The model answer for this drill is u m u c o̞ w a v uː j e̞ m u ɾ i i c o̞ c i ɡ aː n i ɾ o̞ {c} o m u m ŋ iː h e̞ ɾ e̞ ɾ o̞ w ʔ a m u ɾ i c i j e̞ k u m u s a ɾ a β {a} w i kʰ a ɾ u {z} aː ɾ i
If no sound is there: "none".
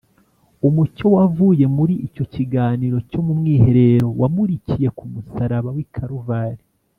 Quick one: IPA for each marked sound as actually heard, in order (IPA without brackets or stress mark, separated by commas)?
c, a, v